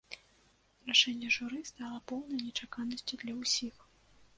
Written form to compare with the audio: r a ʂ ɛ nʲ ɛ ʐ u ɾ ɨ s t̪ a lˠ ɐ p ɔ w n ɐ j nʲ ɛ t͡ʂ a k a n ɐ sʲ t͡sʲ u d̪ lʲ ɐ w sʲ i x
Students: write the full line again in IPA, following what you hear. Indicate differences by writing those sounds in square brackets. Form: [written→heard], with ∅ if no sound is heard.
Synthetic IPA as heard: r a ʂ ɛ [nʲ→nʲː] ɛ ʐ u ɾ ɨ s t̪ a lˠ ɐ p ɔ w n ɐ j nʲ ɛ t͡ʂ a k a n ɐ sʲ t͡sʲ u d̪ lʲ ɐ w sʲ i x